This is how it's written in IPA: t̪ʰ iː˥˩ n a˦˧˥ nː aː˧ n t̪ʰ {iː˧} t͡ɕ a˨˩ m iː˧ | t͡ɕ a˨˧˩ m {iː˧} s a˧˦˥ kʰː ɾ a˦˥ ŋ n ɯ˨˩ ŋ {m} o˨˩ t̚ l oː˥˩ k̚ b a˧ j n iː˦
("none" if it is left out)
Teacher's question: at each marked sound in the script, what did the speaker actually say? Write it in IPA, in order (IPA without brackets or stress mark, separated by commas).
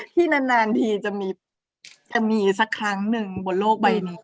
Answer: iː˧, iː˧, b